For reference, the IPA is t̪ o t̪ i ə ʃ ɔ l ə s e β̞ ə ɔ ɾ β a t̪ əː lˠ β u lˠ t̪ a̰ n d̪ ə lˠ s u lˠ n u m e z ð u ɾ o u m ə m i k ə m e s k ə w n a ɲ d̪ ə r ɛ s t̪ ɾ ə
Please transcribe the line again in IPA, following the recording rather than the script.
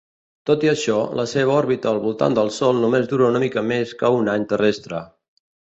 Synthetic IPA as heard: t̪ o t̪ i ə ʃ ɔ l ə s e β̞ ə ɔ ɾ β i t̪ əː lˠ β u lˠ t̪ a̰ n d̪ ə lˠ s ɔ lˠ n u m e z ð u ɾ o u n ə m i k ə m e s k ə u n a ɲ t̪ ə r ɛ s t̪ ɾ ə